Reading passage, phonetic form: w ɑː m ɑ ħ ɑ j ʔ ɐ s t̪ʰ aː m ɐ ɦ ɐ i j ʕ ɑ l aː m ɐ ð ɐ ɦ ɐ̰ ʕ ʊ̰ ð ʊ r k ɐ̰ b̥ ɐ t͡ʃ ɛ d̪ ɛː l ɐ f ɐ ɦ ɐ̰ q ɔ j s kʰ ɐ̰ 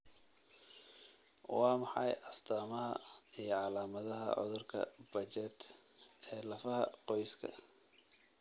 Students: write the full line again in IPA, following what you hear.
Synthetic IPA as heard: w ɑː m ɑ ħ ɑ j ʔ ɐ s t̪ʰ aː m ɐ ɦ ɐ i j ʕ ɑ l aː m ɐ ð ɐ ɦ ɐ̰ ʕ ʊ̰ ð ʊ r kʰ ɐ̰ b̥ ɐ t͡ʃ ɛ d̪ ɛː l ɐ f ɐ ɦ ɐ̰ q ɔ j s kʰ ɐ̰